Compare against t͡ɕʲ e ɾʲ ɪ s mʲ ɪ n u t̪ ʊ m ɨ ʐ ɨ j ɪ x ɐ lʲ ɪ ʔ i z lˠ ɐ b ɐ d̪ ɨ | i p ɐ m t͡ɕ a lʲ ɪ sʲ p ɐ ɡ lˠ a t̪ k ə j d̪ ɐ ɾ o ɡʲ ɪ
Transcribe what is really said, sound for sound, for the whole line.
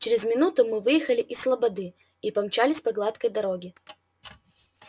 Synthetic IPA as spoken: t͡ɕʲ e ɾʲ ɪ z mʲ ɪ n u t̪ ʊ m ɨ v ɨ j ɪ x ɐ lʲ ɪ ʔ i s lˠ ɐ b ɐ d̪ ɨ | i p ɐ m t͡ɕ a lʲ ɪ sʲ p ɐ ɡ lˠ a t̪ k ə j d̪ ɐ ɾ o ɡʲ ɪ